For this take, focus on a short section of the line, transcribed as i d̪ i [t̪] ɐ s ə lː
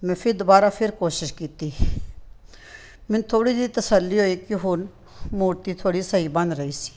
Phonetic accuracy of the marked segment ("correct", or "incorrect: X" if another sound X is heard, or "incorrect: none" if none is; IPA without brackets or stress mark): correct